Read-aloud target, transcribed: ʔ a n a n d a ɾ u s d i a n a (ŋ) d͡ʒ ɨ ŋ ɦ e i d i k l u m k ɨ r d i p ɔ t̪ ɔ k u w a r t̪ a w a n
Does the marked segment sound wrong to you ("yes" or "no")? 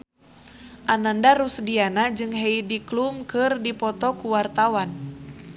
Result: yes